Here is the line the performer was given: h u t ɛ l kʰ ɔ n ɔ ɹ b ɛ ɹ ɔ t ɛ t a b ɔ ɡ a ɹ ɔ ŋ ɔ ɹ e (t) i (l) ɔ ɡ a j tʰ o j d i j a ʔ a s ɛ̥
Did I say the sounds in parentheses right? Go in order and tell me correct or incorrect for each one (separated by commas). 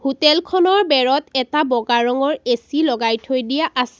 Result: incorrect, correct